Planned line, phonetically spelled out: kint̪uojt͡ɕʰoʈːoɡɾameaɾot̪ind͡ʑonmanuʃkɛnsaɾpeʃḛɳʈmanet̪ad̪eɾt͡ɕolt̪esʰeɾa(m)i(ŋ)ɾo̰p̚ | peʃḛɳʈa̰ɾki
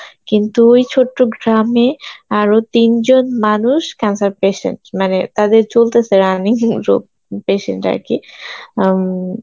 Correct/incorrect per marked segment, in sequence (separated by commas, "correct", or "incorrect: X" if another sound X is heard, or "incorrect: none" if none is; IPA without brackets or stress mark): incorrect: n, correct